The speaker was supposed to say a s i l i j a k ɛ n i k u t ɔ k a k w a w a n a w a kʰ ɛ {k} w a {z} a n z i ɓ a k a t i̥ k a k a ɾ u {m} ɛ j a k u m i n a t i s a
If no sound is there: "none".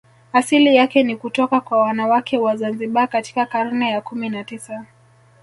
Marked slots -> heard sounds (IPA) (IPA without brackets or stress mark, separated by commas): none, z, n